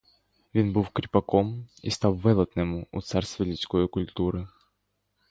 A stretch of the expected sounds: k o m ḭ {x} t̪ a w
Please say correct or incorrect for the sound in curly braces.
incorrect